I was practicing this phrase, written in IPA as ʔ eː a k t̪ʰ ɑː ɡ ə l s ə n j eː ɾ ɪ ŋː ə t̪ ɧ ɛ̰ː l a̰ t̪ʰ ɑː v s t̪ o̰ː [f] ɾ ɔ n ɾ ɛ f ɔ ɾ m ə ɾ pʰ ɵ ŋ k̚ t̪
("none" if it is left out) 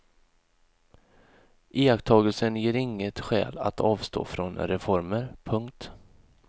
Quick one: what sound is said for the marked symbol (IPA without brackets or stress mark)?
f